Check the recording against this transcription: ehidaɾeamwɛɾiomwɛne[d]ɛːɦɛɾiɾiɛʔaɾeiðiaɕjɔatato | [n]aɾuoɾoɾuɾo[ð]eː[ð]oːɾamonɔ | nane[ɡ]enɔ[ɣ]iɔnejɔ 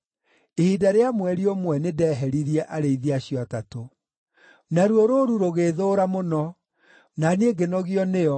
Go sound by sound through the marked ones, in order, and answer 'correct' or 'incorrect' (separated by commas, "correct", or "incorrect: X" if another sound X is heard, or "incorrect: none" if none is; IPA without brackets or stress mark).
correct, correct, incorrect: ɣ, correct, correct, correct